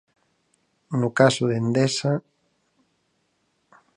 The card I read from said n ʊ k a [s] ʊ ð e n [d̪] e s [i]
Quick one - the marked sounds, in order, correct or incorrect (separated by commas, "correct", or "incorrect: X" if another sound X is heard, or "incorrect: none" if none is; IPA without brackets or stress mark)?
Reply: correct, correct, incorrect: a